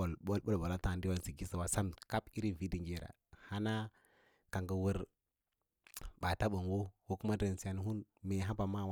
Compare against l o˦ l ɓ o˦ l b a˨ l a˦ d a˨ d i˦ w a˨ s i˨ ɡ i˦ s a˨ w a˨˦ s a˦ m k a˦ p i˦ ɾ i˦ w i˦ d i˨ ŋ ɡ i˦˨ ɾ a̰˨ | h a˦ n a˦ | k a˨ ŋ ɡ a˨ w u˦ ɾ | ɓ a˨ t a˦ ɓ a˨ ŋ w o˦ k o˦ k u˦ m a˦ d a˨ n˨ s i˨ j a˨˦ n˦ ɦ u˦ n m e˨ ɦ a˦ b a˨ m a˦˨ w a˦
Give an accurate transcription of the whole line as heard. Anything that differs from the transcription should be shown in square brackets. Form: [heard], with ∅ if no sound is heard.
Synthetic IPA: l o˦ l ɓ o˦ l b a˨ l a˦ [t] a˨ d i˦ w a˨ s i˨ ɡ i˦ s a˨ w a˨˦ s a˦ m k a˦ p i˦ ɾ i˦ [v] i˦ d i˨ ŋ ɡ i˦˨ ɾ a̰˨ | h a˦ n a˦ | k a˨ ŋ ɡ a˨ w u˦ ɾ | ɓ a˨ t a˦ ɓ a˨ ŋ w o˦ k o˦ k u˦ m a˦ d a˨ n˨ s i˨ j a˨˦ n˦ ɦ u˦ n m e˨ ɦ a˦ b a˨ m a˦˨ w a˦